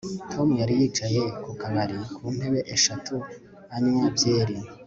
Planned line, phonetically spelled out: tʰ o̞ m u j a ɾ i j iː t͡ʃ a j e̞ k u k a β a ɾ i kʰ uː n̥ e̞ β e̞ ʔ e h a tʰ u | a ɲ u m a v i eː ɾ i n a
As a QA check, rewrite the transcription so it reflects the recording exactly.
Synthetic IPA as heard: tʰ o̞ m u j a ɾ i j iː t͡ʃ a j e̞ k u k a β a ɾ i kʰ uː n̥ e̞ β e̞ ʔ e ʃ a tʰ u | a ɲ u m a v j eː ɾ i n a